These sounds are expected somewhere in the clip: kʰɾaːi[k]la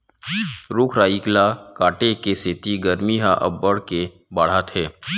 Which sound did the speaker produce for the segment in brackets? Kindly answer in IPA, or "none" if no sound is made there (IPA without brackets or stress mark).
k